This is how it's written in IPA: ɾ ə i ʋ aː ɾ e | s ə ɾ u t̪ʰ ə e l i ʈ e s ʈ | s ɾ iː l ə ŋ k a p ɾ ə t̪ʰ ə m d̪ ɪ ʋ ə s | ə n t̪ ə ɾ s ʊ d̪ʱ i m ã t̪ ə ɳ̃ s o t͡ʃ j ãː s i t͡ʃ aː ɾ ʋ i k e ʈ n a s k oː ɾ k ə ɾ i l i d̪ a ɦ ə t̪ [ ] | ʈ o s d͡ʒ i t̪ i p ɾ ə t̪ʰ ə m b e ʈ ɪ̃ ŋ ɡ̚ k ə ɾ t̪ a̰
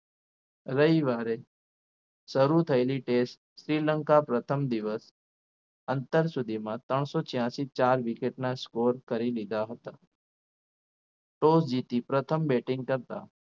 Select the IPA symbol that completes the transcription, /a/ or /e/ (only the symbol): a